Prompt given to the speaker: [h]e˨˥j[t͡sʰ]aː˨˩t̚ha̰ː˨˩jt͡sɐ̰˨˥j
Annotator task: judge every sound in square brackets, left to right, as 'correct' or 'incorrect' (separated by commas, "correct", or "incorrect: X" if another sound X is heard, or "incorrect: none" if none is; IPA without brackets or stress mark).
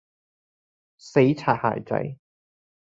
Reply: incorrect: s, correct